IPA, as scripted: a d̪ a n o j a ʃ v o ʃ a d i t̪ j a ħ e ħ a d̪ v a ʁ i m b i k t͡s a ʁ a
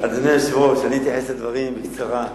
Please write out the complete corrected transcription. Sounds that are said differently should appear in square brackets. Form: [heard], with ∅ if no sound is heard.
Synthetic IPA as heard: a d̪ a n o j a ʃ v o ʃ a [n] i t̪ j a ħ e [s] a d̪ v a ʁ i m b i k t͡s a ʁ a